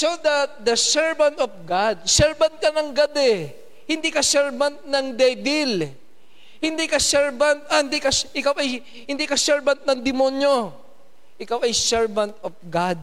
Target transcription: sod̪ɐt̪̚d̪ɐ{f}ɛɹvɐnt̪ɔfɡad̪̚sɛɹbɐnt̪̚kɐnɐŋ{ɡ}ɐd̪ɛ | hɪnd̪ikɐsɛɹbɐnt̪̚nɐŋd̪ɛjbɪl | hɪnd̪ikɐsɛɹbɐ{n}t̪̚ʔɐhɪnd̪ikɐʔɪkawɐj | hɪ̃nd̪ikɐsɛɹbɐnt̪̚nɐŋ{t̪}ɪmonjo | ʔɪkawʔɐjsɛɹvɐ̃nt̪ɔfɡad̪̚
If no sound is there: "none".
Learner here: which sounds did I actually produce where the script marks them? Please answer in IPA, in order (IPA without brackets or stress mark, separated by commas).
s, ɡ, n, d̪